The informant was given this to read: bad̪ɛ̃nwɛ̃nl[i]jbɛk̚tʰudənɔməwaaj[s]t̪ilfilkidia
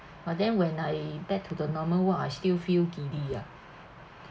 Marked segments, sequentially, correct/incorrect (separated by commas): incorrect, correct